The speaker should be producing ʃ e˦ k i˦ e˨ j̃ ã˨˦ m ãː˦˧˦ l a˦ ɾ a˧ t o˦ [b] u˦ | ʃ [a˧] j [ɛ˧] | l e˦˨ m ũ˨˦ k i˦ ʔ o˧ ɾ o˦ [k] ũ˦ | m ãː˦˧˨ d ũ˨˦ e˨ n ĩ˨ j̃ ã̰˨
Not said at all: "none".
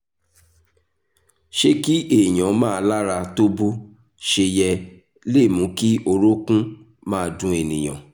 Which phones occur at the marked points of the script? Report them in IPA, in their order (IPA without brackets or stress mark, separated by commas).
b, e˧, ɛ˧, k